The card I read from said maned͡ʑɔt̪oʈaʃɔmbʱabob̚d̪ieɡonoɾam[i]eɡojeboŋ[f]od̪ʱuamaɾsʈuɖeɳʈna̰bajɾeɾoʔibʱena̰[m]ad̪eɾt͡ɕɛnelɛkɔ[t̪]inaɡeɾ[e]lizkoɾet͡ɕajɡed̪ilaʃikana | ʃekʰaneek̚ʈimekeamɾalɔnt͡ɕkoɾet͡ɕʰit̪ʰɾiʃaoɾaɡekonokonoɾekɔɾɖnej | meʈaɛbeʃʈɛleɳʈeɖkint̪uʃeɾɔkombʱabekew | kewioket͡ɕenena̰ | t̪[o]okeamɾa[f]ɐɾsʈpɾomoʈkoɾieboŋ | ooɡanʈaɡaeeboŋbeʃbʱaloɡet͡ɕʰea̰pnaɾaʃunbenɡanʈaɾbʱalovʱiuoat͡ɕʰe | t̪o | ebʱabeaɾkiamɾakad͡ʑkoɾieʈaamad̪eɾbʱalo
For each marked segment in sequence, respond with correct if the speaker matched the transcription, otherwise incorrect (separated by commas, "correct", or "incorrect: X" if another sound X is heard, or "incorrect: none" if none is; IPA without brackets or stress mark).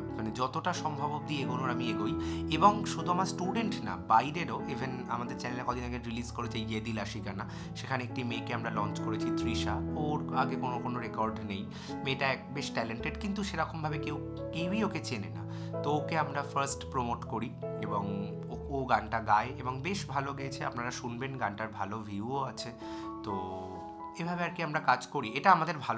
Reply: correct, incorrect: ʃ, correct, incorrect: d̪, incorrect: i, correct, correct